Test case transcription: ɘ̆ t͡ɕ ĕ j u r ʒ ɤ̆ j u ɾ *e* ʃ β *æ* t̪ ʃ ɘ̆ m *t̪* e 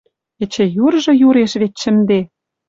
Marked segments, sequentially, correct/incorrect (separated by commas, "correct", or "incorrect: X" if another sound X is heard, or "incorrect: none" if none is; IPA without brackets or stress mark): correct, incorrect: e, incorrect: d̪